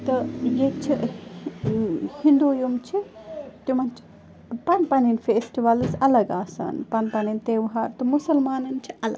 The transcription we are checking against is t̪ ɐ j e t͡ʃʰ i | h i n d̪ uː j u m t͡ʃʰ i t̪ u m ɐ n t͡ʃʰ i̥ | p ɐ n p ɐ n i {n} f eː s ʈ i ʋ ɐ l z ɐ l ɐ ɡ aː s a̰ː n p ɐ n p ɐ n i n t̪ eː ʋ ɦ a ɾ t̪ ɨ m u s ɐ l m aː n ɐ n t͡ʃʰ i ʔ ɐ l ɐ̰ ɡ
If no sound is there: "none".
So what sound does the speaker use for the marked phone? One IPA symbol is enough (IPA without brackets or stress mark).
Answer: n